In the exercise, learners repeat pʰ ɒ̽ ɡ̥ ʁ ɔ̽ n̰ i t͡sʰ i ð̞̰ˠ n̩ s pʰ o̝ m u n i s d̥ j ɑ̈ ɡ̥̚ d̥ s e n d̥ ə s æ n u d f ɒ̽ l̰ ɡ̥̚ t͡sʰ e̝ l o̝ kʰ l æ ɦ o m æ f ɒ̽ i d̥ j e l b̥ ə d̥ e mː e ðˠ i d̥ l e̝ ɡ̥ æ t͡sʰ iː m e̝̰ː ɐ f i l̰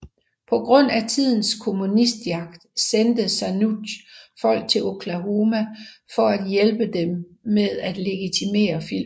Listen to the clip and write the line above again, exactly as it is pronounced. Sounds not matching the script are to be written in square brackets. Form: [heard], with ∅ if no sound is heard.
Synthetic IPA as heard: pʰ ɒ̽ ɡ̥ ʁ ɔ̽ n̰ [æ] t͡sʰ i ð̞̰ˠ n̩ s [kʰ] o̝ m u n i s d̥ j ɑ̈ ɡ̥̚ d̥ s e n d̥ ə s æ n u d f ɒ̽ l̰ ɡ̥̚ t͡sʰ e̝ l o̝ kʰ l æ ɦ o m æ f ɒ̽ [æ] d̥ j e l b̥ ə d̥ e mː e ðˠ [æ] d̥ l e̝ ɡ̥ [i] t͡sʰ [i] m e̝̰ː ɐ f i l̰